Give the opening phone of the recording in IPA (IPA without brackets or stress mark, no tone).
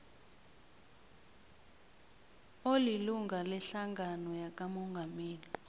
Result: o